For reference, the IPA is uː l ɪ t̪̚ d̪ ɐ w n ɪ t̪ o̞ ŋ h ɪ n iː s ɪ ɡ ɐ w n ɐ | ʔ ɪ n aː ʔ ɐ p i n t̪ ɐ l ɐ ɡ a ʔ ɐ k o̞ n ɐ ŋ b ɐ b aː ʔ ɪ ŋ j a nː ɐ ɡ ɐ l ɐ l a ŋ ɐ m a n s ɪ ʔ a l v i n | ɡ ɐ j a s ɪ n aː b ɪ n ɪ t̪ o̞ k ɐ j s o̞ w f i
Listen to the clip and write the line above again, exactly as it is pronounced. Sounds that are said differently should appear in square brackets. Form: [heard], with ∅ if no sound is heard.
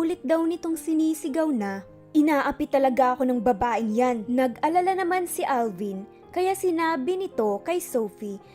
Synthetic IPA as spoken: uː l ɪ t̪̚ d̪ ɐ w n ɪ t̪ o̞ ŋ [s] ɪ n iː s ɪ ɡ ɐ w n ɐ | ʔ ɪ n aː ʔ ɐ p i [∅] t̪ ɐ l ɐ ɡ a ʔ ɐ k o̞ n ɐ ŋ b ɐ b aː ʔ ɪ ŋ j a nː ɐ ɡ ɐ l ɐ l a [n] ɐ m a n s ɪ ʔ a l v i n | [k] ɐ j a s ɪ n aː b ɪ n ɪ t̪ o̞ k ɐ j s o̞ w f i